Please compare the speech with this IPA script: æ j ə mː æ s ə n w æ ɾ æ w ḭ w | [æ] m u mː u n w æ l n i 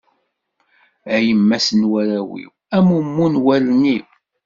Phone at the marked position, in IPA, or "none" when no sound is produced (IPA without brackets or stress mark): æ